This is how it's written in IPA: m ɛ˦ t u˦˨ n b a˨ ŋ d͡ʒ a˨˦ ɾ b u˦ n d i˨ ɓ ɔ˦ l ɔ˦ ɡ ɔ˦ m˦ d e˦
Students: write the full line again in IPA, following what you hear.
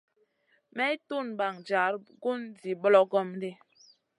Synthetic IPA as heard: m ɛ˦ t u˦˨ n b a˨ ŋ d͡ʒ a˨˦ ɾ ɡ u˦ n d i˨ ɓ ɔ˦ l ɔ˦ ɡ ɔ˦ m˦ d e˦